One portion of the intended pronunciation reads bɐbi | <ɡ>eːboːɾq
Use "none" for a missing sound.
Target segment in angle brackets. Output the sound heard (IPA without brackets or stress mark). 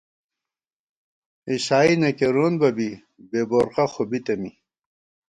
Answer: b